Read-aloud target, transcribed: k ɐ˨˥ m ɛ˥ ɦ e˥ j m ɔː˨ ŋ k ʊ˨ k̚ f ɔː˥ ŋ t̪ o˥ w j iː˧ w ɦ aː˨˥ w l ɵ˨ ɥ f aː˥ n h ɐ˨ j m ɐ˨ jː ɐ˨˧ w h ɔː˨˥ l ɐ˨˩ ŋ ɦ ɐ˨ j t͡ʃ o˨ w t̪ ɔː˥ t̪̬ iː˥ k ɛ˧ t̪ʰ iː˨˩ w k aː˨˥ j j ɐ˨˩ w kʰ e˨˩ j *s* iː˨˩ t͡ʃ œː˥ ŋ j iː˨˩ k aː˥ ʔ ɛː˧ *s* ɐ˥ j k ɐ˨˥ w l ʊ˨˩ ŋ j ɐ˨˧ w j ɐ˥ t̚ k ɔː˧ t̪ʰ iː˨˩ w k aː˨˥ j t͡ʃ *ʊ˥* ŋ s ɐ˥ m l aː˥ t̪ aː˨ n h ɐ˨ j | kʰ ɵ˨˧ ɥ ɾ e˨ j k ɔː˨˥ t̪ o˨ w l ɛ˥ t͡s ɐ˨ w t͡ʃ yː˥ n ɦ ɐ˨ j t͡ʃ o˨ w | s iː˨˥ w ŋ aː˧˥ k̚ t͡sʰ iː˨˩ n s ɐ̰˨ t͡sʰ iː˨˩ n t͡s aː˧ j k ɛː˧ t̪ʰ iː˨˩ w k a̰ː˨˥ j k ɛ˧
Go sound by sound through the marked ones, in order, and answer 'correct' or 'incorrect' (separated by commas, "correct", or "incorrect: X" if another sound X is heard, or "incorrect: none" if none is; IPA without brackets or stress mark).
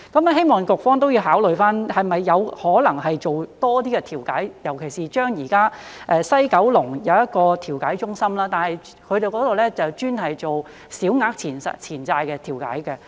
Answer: correct, correct, correct